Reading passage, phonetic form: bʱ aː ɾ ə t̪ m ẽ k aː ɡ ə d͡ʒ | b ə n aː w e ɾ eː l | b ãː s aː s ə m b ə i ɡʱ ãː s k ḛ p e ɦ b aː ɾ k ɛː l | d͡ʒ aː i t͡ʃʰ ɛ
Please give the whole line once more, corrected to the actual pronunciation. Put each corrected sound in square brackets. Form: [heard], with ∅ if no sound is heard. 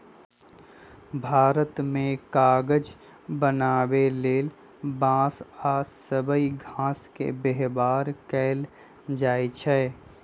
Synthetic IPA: bʱ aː ɾ ə t̪ m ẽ k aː ɡ ə d͡ʒ | b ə n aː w e [l] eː l | b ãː s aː s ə [∅] b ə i ɡʱ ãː s k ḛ [b] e ɦ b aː ɾ k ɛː l | d͡ʒ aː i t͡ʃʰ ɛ